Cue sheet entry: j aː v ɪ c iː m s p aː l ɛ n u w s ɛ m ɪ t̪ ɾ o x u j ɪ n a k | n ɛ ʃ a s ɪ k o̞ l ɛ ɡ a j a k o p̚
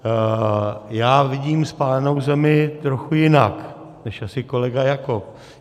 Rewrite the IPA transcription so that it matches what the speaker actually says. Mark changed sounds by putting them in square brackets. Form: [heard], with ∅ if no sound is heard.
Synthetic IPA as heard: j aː v ɪ [ɟ] iː m s p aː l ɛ n [o] w [z] ɛ m ɪ t̪ ɾ o x u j ɪ n a k | n ɛ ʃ a s ɪ k o̞ l ɛ ɡ a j a k o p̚

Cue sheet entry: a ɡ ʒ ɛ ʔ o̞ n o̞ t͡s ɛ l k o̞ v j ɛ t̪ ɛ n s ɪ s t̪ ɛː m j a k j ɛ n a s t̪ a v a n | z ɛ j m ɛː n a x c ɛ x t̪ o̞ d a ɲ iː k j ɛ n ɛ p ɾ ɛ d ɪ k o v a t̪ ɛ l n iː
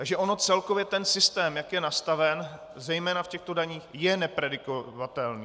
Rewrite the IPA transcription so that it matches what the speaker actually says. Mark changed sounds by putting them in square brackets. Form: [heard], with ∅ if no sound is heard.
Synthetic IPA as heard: a ɡ ʒ ɛ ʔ o̞ n o̞ t͡s ɛ l k o̞ v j ɛ t̪ ɛ n s ɪ s t̪ ɛː m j a k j ɛ n a s t̪ a v [ɛ] n | z ɛ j m ɛː n a [f] c ɛ x t̪ o̞ d a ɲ iː [x] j ɛ n ɛ p ɾ ɛ d ɪ k o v a t̪ ɛ l n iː

